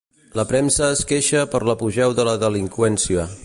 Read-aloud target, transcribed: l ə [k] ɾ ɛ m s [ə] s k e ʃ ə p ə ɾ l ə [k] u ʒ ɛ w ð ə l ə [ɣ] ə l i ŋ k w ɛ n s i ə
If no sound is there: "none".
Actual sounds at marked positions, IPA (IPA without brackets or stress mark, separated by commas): p, əː, p, ð